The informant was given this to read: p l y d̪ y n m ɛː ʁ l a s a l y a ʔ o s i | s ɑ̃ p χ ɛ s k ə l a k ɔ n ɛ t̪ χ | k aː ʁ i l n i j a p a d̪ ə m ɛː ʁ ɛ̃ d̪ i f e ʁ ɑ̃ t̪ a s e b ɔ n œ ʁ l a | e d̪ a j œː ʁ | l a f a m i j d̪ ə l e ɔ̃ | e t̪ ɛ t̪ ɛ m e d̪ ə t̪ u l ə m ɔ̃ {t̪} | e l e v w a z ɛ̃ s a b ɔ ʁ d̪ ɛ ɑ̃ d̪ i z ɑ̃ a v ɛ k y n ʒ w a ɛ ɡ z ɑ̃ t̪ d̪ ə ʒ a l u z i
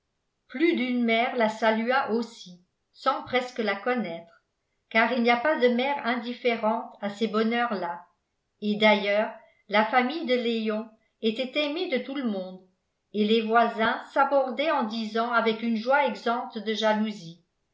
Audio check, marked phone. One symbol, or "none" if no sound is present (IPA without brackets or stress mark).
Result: d̪